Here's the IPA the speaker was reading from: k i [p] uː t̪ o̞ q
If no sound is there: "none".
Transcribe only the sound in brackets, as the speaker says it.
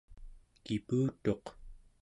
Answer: p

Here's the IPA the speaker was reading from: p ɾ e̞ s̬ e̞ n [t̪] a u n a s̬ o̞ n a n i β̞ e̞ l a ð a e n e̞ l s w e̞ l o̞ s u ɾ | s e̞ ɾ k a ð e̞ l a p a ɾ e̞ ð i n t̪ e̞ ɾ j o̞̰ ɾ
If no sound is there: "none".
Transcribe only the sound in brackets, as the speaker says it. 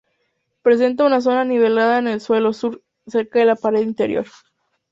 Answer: t̪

